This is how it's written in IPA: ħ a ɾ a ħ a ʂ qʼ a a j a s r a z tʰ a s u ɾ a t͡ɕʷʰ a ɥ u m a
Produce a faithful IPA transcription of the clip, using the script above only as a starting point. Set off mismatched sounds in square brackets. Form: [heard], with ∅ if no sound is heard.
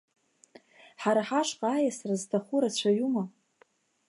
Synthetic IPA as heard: ħ a ɾ a ħ a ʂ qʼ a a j a s r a z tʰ a [χ] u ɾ a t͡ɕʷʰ a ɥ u m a